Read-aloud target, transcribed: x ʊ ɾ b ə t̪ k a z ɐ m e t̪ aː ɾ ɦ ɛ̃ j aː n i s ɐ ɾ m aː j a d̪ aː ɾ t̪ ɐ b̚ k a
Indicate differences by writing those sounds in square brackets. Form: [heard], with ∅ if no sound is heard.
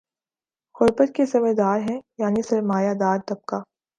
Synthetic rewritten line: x ʊ ɾ b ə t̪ k [e] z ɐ m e [d̪] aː ɾ ɦ ɛ̃ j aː n i s ɐ ɾ m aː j a d̪ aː ɾ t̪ ɐ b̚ k a